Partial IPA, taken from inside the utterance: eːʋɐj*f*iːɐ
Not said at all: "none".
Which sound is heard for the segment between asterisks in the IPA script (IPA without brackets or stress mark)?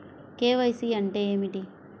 s